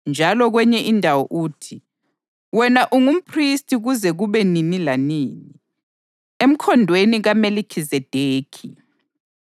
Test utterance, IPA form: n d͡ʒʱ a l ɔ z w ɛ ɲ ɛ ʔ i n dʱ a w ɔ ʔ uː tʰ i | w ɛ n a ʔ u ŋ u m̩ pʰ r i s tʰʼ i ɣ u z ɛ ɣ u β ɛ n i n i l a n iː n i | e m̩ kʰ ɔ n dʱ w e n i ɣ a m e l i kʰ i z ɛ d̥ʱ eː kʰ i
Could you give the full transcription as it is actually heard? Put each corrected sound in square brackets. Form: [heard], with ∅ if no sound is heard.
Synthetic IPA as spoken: n d͡ʒʱ a l ɔ [ɣ] w ɛ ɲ ɛ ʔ i n dʱ a w ɔ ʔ uː tʰ i | w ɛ n a ʔ u ŋ u m̩ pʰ r i s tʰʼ i ɣ u z ɛ ɣ u β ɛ n i n i l a n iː n i | e m̩ kʰ ɔ n dʱ w e n i ɣ a m e l i kʰ i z ɛ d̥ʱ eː kʰ i

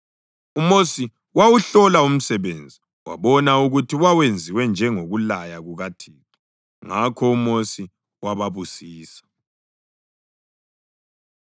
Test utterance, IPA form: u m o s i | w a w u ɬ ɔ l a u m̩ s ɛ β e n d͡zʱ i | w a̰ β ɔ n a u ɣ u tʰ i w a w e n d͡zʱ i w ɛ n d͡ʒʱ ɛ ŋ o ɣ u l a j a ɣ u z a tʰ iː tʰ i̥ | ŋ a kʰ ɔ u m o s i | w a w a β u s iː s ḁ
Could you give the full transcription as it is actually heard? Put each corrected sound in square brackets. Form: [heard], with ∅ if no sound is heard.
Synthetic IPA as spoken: u m o s i | w a w u ɬ ɔ l a u m̩ s ɛ β e n d͡zʱ i | w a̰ β ɔ n a u ɣ u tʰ i w a w e n d͡zʱ i w ɛ n d͡ʒʱ ɛ ŋ o ɣ u l a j a ɣ u [ɣ] a tʰ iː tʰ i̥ | ŋ a kʰ ɔ u m o s i | w a [β] a β u s iː s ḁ

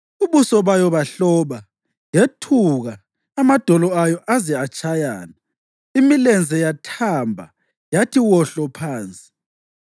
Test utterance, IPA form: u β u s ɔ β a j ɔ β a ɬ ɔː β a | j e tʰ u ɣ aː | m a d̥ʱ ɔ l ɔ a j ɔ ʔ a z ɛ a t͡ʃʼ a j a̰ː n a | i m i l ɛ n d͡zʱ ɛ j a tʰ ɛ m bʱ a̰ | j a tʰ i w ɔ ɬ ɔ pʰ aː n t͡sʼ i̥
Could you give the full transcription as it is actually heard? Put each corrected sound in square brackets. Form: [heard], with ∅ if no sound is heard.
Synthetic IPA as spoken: u β u s ɔ β a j ɔ β a ɬ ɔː β a | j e tʰ u ɣ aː | m a d̥ʱ ɔ l ɔ a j ɔ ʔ a z ɛ a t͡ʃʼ a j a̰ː n a | i m i l ɛ n d͡zʱ ɛ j a tʰ [a] m bʱ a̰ | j a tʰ i w ɔ ɬ ɔ pʰ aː n t͡sʼ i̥

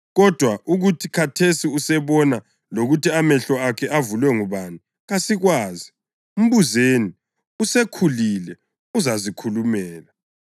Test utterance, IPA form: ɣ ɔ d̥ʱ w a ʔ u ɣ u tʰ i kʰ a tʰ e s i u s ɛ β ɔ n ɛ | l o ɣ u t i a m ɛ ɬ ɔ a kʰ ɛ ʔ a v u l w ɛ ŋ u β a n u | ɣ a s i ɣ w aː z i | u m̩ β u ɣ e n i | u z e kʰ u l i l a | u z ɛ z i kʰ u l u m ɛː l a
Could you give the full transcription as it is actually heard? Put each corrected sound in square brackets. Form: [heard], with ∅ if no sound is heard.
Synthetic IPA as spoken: ɣ ɔ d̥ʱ w a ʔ u ɣ u tʰ i kʰ a tʰ e s i u s ɛ β ɔ n [a] | l o ɣ u t i a m ɛ ɬ ɔ a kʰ ɛ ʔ a v u l w ɛ ŋ u β a n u | ɣ a s i ɣ w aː z i | u m̩ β u [z] e n i | u [s] e kʰ u l i l [ɛ] | u z [a] z i kʰ u l u m ɛː l a

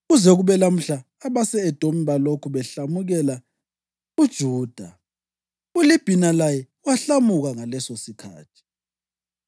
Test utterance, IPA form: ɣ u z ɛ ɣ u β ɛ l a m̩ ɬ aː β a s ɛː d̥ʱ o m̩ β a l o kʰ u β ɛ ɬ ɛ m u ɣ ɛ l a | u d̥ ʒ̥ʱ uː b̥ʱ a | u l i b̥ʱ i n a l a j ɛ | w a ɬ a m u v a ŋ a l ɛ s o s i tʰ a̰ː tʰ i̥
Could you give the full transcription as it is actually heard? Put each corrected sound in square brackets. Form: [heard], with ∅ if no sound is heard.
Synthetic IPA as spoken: ɣ u z ɛ ɣ u β ɛ l a m̩ ɬ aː β a s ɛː d̥ʱ o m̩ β a l o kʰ u β ɛ ɬ [a] m u ɣ ɛ l a | u d̥ ʒ̥ʱ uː [d̥ʱ] a | u l i b̥ʱ i n a l a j ɛ | w a ɬ a m u [ɣ] a ŋ a l ɛ s o s i [kʰ] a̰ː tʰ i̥

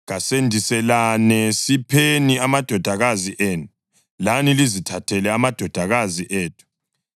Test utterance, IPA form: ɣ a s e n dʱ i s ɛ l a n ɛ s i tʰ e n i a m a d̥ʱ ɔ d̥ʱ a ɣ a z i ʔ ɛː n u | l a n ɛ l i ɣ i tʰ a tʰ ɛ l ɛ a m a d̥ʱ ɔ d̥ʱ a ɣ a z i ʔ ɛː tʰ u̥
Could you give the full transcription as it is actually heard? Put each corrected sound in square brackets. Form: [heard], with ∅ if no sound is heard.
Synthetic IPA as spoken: ɣ a s e n dʱ i s ɛ l a n ɛ s i [pʰ] e n i a m a d̥ʱ ɔ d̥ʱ a ɣ a z i ʔ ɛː n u | l a n [i] l i [z] i tʰ a tʰ ɛ l ɛ a m a d̥ʱ ɔ d̥ʱ a ɣ a z i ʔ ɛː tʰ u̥

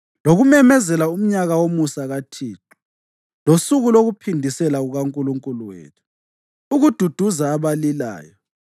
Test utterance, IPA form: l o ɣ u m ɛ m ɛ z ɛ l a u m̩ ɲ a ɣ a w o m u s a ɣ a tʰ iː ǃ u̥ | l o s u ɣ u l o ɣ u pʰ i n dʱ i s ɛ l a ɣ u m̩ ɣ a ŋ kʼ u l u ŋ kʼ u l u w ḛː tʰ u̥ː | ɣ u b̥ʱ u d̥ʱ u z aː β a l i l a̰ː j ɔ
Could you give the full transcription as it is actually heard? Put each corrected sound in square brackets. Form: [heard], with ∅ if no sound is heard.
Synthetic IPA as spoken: l o ɣ u m ɛ m ɛ z ɛ l a u m̩ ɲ a ɣ a w o m u s a ɣ a tʰ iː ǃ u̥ | l o s u ɣ u l o ɣ u pʰ i n dʱ i s ɛ l a ɣ u [∅] ɣ a ŋ kʼ u l u ŋ kʼ u l u w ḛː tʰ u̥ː | ɣ u [d̥ʱ] u d̥ʱ u z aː β a l i l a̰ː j ɔ

